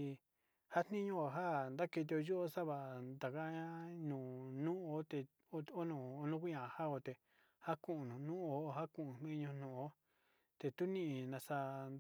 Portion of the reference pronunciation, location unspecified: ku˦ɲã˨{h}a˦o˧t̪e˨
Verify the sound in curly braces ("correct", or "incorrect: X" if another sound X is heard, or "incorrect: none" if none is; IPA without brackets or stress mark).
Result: correct